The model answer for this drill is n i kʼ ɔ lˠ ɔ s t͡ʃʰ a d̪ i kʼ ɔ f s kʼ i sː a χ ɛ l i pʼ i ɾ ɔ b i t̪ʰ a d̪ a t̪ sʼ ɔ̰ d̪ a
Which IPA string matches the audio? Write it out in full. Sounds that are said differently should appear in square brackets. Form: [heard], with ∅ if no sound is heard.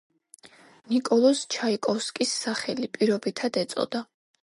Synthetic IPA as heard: n i kʼ ɔ lˠ ɔ s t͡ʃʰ a [∅] i kʼ ɔ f s kʼ i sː a χ ɛ l i pʼ i ɾ ɔ b i t̪ʰ a d̪ [ɛ] t̪ sʼ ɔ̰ d̪ a